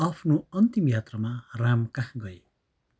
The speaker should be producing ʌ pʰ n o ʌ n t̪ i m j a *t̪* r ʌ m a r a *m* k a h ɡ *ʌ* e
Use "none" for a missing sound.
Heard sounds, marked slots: t̪, m, ʌ

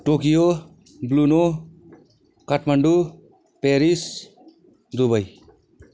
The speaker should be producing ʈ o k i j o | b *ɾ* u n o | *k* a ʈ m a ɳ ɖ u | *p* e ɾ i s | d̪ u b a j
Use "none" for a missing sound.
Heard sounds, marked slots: l, k, p

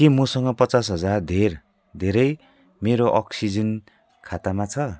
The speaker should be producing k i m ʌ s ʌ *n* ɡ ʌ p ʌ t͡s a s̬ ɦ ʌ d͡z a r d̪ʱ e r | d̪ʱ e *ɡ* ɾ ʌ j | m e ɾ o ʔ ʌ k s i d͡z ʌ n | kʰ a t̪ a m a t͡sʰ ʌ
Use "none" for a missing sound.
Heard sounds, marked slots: ŋ, none

